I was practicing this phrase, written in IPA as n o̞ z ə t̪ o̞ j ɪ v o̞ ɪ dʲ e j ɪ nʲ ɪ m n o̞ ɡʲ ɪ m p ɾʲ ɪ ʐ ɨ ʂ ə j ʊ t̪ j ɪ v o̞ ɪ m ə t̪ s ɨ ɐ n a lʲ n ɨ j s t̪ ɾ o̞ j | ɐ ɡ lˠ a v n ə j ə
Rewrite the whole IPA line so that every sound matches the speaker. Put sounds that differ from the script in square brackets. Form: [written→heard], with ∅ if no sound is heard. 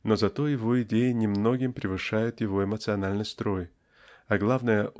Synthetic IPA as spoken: n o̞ z [ə→ɐ] t̪ o̞ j ɪ v o̞ ɪ dʲ e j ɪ nʲ ɪ m n o̞ ɡʲ ɪ m p ɾʲ ɪ [ʐ→v] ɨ ʂ [ə→a] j ʊ t̪ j ɪ v o̞ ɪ m ə t̪ s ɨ ɐ n a lʲ n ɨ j s t̪ ɾ o̞ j | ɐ ɡ lˠ a v n ə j ə